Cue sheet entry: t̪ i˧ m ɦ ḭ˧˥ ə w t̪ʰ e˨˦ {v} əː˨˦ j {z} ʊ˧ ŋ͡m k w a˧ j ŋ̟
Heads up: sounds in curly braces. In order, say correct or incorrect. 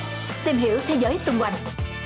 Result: incorrect: z, incorrect: s

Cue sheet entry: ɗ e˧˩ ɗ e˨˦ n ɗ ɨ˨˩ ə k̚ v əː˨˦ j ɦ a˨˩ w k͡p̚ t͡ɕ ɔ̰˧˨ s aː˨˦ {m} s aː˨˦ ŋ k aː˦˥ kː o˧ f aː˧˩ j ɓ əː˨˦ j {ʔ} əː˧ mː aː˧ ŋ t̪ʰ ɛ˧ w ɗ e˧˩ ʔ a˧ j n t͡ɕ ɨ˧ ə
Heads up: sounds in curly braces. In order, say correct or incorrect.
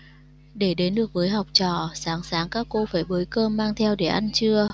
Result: incorrect: ŋ, incorrect: k

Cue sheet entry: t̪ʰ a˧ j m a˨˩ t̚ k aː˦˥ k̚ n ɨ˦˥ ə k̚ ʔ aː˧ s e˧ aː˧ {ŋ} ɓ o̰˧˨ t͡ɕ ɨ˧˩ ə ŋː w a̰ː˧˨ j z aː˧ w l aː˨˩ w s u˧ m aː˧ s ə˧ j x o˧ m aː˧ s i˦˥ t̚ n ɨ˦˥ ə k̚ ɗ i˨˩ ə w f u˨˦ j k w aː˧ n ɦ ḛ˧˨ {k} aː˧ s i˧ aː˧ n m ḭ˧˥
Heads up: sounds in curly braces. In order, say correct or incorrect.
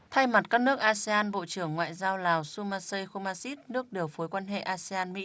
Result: incorrect: n, incorrect: ʔ

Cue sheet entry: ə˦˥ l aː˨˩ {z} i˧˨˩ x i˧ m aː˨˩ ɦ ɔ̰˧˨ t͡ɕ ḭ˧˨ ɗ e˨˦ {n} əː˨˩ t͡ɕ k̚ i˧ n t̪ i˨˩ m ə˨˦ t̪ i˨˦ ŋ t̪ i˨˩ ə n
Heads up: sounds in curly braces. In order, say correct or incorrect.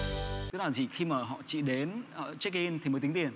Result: correct, correct

